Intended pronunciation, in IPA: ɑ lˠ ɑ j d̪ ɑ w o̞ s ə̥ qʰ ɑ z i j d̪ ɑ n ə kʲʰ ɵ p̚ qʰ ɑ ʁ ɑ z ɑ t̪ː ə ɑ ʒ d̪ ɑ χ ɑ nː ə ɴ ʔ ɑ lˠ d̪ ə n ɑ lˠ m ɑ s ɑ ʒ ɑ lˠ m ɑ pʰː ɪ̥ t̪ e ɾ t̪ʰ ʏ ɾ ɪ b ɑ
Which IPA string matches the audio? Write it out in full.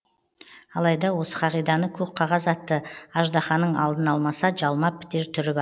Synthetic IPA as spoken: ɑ lˠ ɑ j d̪ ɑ w o̞ s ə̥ qʰ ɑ ʁ i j d̪ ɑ n ə kʲʰ ɵ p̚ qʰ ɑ ʁ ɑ z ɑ t̪ː ə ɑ ʒ d̪ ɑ χ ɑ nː ə ɴ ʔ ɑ lˠ d̪ ə n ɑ lˠ m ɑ s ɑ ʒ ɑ lˠ m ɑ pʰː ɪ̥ t̪ e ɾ t̪ʰ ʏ ɾ ɪ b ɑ